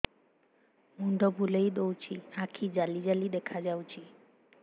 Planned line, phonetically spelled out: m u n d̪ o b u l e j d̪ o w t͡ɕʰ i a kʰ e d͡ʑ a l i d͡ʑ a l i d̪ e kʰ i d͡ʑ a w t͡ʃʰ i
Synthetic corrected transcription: m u n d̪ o b u l e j d̪ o w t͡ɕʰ i a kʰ i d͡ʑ a l i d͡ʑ a l i d̪ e kʰ a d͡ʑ a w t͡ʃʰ i